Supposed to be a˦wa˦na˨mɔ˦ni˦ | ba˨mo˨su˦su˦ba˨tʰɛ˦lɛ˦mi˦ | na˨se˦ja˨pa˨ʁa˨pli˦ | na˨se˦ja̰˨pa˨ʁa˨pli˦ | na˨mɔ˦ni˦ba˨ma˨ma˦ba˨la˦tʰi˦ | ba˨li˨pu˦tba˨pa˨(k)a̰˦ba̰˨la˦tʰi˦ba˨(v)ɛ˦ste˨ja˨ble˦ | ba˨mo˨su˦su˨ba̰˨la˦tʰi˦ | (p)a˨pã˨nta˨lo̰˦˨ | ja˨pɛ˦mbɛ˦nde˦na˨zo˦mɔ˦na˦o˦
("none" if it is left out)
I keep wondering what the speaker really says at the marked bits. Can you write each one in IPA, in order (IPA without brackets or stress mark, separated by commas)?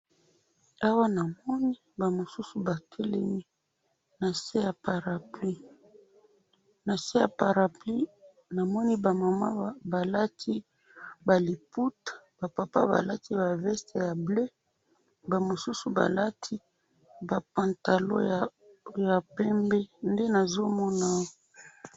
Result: p, v, b